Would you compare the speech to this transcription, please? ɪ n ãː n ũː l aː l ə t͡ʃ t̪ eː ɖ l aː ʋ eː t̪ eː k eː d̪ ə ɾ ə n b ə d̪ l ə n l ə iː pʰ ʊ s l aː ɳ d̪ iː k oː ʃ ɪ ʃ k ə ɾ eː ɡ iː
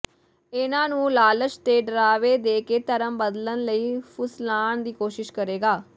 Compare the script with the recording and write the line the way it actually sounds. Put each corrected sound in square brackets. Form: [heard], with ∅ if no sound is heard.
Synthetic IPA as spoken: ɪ n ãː n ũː l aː l ə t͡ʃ t̪ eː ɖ [ɾ] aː ʋ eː [d̪] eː k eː [t̪] ə ɾ ə [m] b ə d̪ l ə n l ə iː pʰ ʊ s l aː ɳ d̪ iː k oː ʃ ɪ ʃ k ə ɾ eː ɡ [aː]